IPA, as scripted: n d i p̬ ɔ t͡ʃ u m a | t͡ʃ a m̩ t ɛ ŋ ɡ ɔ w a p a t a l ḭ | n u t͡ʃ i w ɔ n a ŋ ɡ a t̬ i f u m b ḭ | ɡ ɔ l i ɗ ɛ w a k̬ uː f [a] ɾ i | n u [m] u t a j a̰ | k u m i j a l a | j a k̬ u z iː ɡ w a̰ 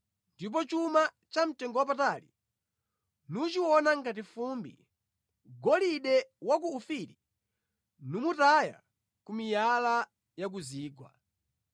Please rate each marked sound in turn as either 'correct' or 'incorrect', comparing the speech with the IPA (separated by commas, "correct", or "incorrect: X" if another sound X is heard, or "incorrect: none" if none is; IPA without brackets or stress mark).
incorrect: i, correct